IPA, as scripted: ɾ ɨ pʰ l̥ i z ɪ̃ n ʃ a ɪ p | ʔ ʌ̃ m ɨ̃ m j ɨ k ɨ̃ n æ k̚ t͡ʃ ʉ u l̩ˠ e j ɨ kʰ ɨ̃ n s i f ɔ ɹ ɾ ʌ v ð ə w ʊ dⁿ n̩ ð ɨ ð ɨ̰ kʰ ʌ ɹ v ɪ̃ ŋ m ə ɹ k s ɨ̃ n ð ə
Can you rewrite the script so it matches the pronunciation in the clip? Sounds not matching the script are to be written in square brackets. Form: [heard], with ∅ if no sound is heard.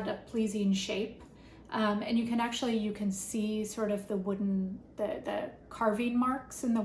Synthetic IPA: ɾ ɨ pʰ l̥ i z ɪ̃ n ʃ [e] ɪ p | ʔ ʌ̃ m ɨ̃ [n] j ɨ k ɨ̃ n æ k̚ t͡ʃ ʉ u l̩ˠ [i] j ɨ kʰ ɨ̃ n s i [s] ɔ ɹ ɾ ʌ v ð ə w ʊ dⁿ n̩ ð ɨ ð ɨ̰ kʰ [ɑ] ɹ v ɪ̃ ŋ m [ɑ] ɹ k s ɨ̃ n ð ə